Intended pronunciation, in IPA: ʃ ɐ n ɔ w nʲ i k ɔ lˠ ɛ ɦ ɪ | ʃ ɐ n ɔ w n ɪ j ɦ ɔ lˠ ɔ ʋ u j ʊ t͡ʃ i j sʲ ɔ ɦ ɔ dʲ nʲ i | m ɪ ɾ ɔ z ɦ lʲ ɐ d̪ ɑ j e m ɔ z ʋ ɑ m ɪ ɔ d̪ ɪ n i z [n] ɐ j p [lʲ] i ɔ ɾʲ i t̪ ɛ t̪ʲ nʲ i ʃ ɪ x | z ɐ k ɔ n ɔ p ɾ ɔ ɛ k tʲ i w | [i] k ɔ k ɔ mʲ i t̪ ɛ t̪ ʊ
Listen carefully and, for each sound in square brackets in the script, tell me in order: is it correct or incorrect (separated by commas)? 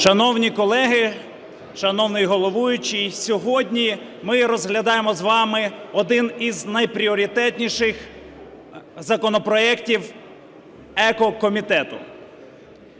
correct, incorrect, incorrect